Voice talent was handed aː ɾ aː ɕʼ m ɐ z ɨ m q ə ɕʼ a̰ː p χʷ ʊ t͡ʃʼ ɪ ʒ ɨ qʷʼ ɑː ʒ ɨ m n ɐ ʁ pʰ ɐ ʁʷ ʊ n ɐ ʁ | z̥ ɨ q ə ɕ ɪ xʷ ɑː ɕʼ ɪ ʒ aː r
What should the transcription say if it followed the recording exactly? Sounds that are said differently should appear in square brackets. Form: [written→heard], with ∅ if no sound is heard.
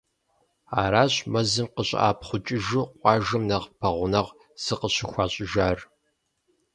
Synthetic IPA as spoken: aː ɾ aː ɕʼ m ɐ z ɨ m q ə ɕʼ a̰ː p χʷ ʊ t͡ʃʼ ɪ ʒ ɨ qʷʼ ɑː ʒ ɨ m n ɐ ʁ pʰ ɐ ʁʷ ʊ n ɐ ʁ | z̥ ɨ q ə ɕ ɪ xʷ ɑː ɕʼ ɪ ʒ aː r